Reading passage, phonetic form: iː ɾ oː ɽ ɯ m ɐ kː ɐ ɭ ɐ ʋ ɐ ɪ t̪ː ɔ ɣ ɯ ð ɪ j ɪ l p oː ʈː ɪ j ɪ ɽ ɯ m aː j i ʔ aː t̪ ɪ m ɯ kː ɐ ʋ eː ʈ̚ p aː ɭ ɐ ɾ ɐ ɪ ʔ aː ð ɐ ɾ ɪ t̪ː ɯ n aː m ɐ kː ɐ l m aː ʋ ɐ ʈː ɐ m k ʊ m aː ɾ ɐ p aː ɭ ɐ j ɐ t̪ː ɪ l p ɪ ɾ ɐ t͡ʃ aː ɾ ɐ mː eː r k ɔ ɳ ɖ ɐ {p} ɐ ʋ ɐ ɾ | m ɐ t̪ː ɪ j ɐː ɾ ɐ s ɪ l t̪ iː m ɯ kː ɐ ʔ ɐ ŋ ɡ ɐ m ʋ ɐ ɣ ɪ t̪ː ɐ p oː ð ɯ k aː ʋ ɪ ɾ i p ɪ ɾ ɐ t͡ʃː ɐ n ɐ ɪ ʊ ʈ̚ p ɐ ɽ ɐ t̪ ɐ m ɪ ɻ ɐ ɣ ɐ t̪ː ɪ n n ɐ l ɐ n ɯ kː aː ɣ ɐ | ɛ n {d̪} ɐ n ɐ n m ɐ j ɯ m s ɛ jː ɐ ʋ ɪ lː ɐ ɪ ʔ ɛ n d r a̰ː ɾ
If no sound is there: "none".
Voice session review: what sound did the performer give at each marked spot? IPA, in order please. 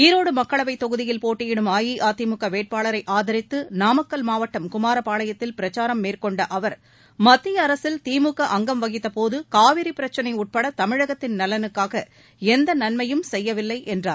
ʔ, d̪

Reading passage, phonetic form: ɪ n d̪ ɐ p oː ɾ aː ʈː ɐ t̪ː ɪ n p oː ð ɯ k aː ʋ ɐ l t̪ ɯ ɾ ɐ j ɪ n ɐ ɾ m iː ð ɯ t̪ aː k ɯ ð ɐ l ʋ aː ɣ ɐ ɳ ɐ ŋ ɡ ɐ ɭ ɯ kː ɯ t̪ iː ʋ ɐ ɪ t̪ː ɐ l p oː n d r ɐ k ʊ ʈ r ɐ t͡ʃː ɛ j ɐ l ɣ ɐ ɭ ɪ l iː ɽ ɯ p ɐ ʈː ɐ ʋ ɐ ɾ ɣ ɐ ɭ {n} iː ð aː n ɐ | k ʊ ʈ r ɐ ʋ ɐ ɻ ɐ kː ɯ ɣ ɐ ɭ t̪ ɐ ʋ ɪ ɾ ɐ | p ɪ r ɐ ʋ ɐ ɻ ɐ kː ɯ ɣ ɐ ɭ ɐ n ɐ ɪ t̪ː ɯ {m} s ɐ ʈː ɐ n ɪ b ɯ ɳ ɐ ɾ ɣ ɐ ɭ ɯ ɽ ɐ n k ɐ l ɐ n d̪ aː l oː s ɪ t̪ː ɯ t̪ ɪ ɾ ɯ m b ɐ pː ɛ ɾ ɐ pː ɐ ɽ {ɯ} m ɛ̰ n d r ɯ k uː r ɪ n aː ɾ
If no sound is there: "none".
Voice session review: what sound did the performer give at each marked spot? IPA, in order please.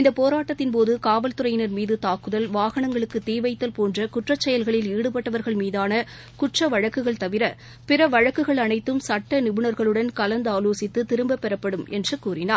m, m, ɯ

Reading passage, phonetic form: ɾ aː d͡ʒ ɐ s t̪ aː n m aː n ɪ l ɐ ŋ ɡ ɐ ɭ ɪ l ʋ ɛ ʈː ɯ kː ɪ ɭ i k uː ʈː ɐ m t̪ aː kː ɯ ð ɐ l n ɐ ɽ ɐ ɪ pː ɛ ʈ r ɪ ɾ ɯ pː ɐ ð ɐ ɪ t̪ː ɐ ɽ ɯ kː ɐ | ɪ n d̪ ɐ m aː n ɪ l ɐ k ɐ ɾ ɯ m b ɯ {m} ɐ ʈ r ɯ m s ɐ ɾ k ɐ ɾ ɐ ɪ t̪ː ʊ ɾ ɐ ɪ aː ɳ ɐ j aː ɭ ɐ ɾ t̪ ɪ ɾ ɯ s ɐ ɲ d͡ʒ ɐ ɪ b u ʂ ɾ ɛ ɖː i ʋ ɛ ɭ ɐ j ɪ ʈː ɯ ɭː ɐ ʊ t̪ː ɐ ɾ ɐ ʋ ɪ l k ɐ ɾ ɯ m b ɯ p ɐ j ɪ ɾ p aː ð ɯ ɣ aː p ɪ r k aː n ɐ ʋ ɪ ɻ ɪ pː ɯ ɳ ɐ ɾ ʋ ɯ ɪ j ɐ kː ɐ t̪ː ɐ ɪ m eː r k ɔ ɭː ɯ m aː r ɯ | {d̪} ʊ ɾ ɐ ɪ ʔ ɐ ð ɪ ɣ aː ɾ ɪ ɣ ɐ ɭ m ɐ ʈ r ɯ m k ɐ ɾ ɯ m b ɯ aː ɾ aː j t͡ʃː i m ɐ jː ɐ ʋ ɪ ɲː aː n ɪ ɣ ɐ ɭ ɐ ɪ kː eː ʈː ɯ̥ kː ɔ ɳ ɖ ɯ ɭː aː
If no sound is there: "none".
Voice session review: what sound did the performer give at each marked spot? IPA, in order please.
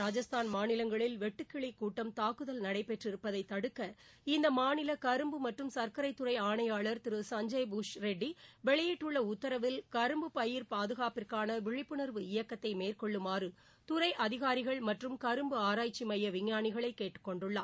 m, t̪

